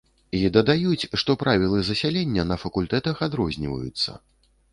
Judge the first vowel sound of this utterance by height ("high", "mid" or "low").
high